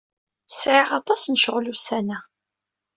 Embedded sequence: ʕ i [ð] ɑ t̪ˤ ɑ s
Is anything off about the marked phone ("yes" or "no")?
yes